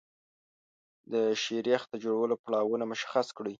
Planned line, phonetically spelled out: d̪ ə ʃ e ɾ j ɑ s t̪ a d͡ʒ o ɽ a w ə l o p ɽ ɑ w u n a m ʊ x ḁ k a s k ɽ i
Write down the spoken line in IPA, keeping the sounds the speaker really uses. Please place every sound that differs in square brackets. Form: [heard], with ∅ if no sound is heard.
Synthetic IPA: d̪ ə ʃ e ɾ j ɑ [x] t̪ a d͡ʒ o ɽ a w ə l o p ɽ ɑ w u n a m ʊ [ʃ] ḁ [x] a s k ɽ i